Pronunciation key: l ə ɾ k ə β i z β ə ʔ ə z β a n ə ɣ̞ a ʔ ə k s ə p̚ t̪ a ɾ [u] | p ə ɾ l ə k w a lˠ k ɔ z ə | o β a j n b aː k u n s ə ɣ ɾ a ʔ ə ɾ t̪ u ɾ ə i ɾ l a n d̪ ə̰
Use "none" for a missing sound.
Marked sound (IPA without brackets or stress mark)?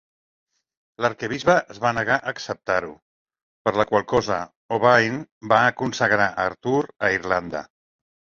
u